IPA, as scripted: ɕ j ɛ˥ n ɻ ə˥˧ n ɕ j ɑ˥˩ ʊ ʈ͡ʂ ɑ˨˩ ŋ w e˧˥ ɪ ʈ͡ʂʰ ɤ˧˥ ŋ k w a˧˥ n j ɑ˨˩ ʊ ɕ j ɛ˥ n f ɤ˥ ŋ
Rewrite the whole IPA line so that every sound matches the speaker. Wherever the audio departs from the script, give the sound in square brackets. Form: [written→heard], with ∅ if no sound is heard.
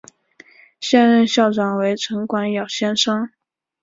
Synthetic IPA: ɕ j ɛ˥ n ɻ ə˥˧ n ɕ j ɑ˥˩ ʊ ʈ͡ʂ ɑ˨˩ ŋ w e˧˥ ɪ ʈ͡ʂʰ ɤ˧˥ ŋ k w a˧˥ n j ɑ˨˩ ʊ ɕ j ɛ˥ n [f→ʂ] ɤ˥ ŋ